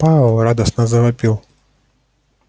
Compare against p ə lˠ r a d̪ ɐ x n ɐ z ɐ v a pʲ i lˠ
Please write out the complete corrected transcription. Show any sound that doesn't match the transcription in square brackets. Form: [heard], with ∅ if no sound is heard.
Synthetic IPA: p [a] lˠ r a d̪ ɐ [s] n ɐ z ɐ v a pʲ i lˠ